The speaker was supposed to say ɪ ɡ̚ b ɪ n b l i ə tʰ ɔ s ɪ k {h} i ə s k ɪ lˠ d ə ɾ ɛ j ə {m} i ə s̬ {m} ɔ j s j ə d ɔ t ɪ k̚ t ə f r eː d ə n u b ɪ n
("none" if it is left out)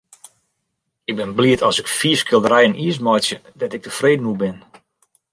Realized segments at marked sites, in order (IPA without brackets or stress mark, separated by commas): f, n, m